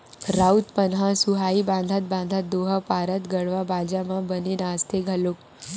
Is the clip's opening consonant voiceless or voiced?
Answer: voiced